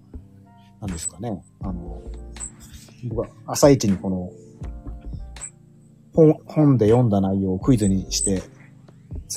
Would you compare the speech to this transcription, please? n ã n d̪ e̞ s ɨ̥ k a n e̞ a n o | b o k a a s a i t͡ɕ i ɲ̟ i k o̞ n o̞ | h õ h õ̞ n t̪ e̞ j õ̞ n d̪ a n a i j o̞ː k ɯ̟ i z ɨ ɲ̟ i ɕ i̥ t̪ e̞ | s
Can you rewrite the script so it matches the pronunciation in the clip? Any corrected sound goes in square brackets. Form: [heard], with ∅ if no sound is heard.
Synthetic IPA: n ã n d̪ e̞ s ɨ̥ k a n e̞ a n o | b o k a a s a i t͡ɕ i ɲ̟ i k o̞ n o̞ | h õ h õ̞ n [d̪] e̞ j õ̞ n d̪ a n a i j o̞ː k ɯ̟ i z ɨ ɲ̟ i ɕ i̥ t̪ e̞ | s